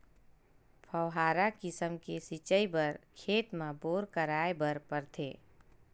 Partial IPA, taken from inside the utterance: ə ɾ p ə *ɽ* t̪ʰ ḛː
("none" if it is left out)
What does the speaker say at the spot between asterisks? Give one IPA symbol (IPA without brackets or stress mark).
ɾ